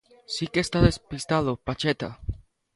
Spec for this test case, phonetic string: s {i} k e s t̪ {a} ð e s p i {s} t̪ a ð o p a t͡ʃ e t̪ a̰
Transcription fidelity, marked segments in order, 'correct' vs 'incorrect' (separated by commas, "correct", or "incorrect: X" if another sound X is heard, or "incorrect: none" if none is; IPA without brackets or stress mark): correct, correct, correct